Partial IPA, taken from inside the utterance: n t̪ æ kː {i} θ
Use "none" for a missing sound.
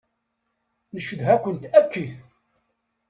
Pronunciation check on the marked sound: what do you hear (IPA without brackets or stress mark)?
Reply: i